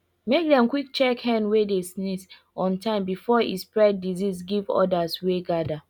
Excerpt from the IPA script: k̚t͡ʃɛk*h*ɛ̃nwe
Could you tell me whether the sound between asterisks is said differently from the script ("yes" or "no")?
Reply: no